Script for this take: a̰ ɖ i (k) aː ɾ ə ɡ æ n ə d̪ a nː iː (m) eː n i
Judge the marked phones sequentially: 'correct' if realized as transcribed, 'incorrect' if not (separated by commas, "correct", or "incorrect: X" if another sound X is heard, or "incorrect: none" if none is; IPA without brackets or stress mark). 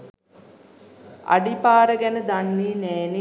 incorrect: p, incorrect: n